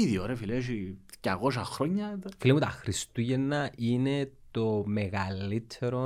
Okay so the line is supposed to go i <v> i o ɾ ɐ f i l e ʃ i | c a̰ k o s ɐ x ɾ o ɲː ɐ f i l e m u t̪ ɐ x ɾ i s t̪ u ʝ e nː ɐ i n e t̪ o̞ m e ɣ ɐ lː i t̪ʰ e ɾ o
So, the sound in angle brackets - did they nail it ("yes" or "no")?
no